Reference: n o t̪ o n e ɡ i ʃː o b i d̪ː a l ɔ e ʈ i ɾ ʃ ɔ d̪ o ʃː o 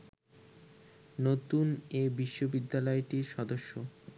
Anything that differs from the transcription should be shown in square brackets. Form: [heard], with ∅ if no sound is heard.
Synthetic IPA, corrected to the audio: n o t̪ [u] n e [b] i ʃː o b i d̪ː a l ɔ e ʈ i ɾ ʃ ɔ d̪ o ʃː o